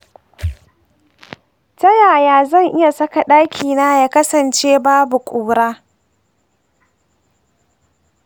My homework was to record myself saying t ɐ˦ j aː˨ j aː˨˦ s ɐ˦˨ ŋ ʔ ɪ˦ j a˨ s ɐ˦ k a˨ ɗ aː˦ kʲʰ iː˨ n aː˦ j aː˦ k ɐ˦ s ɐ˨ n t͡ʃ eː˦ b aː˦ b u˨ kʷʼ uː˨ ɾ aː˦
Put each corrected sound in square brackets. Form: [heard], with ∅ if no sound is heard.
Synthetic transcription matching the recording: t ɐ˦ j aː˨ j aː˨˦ [z] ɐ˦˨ ŋ ʔ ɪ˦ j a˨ s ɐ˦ k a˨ ɗ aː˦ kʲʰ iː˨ n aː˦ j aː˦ k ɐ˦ s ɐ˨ n t͡ʃ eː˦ b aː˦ b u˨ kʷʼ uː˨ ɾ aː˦

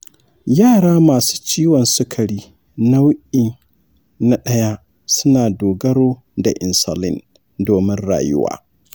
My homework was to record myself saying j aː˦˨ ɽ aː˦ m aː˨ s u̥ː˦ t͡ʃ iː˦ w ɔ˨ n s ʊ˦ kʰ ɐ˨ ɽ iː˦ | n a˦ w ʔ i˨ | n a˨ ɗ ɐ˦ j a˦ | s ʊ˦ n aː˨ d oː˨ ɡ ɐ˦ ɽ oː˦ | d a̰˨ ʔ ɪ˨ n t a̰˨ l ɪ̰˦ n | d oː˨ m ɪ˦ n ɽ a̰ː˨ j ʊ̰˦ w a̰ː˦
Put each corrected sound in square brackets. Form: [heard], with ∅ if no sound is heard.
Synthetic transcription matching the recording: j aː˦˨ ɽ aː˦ m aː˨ s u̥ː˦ t͡ʃ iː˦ w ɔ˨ n s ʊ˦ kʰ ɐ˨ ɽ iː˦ | n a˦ w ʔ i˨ | n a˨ ɗ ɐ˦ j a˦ | s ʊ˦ n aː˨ d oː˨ ɡ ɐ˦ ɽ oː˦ | d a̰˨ ʔ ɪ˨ n [s] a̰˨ l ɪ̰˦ n | d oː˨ m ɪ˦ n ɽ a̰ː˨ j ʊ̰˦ w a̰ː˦

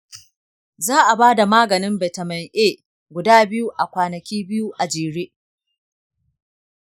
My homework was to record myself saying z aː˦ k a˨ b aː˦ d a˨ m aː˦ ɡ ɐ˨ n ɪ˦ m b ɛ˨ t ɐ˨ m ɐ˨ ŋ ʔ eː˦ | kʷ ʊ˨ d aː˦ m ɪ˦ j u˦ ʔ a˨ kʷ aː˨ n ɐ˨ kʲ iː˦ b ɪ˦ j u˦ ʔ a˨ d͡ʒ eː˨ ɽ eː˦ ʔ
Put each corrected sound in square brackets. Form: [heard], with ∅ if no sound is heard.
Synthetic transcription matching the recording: z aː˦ [ʔ] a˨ b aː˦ d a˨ m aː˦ ɡ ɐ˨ n ɪ˦ m b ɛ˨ t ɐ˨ m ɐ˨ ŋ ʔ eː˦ | [ɡʷ] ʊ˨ d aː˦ [b] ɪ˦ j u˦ ʔ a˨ kʷ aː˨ n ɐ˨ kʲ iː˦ b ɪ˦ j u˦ ʔ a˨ d͡ʒ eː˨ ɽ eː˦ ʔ

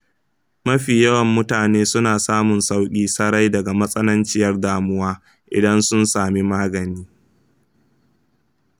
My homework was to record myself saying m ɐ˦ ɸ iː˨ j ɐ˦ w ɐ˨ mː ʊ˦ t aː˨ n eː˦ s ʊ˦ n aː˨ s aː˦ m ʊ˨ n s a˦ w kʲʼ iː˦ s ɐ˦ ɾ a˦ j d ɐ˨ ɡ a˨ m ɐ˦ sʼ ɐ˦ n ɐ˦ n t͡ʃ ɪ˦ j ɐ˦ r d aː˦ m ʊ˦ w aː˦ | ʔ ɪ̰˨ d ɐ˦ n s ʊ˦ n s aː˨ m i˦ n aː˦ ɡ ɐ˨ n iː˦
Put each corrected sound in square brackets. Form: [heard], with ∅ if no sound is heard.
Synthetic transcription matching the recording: m ɐ˦ ɸ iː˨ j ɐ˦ w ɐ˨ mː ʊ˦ t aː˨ n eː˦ s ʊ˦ n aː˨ s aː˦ m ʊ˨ n s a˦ w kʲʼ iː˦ s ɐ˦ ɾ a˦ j d ɐ˨ ɡ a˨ m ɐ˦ sʼ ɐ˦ n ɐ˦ n t͡ʃ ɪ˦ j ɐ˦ r d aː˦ m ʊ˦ w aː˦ | ʔ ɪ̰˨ d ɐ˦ n s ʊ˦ n s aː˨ m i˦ [m] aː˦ ɡ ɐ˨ n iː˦

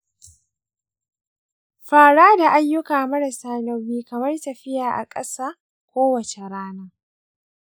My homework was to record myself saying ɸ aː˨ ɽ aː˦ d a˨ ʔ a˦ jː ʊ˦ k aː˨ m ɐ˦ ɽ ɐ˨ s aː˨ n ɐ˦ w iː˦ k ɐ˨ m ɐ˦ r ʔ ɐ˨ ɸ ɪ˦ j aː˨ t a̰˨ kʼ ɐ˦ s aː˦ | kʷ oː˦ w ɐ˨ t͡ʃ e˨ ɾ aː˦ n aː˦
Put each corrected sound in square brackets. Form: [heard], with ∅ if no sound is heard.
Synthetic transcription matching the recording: ɸ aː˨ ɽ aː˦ d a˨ ʔ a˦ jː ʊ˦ k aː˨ m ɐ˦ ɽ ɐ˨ s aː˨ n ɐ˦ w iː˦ k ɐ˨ m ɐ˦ r [t] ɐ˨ ɸ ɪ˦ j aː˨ [ʔ] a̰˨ kʼ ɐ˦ s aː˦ | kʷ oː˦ w ɐ˨ t͡ʃ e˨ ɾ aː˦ n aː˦

